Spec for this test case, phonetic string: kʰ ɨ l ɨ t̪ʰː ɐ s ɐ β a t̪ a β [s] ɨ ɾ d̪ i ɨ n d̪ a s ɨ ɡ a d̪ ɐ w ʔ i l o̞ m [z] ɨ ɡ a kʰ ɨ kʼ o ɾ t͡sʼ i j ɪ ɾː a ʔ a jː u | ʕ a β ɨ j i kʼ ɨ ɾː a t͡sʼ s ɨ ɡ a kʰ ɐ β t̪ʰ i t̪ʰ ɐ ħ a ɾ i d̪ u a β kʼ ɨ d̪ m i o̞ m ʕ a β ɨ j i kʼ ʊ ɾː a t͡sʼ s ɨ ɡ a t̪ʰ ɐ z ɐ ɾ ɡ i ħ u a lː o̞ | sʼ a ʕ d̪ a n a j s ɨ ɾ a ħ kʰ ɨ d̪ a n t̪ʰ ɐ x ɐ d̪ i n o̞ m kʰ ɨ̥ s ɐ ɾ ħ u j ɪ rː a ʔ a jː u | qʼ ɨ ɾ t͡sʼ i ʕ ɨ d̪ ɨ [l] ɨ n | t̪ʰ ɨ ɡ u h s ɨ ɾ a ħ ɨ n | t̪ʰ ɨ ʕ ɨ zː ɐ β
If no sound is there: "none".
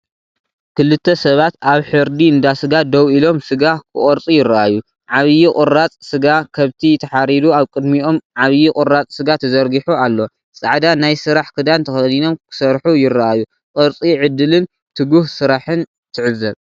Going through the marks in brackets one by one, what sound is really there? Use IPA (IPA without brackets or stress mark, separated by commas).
ħ, s, l